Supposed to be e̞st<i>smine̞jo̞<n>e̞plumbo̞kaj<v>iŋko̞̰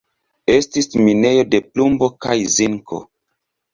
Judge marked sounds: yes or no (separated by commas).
yes, no, no